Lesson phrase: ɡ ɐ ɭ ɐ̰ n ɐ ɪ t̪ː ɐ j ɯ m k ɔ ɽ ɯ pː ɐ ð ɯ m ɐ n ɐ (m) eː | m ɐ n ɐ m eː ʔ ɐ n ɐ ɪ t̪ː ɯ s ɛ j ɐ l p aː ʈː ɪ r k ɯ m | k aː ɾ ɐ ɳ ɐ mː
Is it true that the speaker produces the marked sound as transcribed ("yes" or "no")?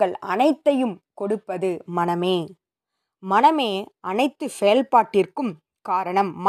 yes